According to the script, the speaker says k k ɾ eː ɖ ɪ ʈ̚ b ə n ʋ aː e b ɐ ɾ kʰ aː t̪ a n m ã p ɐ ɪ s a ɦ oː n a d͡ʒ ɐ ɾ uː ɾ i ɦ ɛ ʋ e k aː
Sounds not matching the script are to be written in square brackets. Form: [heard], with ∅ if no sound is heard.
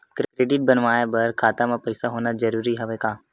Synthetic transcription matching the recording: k k ɾ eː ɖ ɪ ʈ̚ b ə n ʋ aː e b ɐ ɾ kʰ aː t̪ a [∅] m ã p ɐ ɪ s a ɦ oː n a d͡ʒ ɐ ɾ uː ɾ i ɦ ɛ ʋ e k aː